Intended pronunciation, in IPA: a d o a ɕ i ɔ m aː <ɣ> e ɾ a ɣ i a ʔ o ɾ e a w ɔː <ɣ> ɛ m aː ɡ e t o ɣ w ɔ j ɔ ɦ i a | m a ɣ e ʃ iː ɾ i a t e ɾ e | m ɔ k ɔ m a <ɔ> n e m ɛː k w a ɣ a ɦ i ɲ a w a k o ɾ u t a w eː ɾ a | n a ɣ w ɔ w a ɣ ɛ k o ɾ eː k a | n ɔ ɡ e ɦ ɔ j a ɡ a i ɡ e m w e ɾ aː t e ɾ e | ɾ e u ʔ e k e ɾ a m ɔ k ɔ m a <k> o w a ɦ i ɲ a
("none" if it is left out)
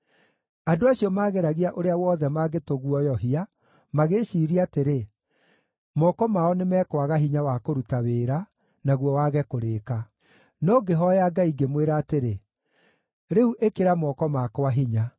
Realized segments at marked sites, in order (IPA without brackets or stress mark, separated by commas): ɣ, ð, ɔ, k